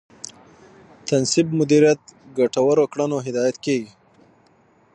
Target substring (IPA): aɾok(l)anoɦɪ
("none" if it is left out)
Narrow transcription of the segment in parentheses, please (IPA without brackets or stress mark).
ɽ